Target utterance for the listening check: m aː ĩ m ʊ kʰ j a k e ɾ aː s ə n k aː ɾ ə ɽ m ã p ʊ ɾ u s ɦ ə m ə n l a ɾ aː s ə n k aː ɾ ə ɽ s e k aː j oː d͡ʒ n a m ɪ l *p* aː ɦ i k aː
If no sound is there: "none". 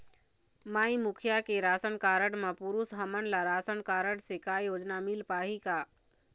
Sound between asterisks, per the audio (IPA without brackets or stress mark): p